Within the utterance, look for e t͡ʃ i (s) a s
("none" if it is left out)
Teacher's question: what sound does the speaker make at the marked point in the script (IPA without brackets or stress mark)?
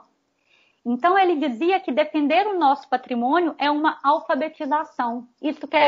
z